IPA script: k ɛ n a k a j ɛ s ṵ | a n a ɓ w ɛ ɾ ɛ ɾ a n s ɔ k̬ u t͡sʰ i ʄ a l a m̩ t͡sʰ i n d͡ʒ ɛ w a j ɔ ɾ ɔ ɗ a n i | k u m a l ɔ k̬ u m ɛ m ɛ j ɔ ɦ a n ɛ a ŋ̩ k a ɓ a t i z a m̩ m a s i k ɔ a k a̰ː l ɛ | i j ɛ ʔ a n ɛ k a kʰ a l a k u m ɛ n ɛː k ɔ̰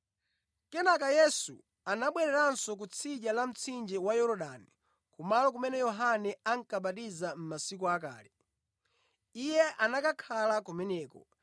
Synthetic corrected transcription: k ɛ n a k a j ɛ s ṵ | a n a ɓ w ɛ ɾ ɛ ɾ a n s ɔ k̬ u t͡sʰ i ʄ a l a m̩ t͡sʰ i n d͡ʒ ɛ w a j ɔ ɾ ɔ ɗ a n i | k u m a l ɔ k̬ u m ɛ n ɛ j ɔ ɦ a n ɛ a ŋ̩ k a ɓ a t i z a m̩ m a s i k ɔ a k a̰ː l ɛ | i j ɛ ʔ a n a k a kʰ a l a k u m ɛ n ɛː k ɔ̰